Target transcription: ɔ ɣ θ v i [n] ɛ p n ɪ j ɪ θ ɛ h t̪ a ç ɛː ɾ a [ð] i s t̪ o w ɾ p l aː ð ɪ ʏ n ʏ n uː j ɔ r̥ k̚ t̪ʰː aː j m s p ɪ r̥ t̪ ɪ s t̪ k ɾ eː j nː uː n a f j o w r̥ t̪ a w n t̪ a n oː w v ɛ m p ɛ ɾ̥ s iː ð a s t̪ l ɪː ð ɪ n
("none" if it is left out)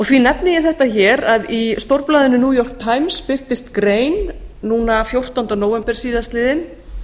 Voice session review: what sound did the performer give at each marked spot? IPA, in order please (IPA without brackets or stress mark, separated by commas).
n, ð